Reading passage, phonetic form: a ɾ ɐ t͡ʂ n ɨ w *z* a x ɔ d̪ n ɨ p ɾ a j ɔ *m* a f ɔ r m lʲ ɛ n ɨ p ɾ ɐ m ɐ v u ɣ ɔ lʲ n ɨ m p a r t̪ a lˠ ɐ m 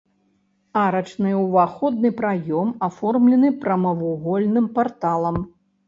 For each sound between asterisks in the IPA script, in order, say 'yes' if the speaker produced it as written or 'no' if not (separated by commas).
no, yes